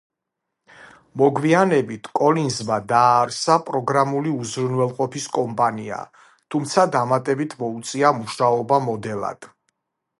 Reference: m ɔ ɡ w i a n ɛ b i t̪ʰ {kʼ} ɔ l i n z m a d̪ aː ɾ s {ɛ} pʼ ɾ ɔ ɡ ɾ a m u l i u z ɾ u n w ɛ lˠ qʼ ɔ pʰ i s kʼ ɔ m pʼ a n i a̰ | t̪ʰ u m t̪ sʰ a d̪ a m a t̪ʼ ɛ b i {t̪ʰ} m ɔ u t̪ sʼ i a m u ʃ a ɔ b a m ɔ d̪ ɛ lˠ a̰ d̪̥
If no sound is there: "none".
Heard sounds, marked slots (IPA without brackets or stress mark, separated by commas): kʼ, a, t̪ʰ